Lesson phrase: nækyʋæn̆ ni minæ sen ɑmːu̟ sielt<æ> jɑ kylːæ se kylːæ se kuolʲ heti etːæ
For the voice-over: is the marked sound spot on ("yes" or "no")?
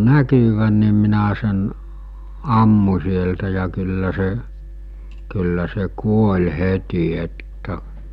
yes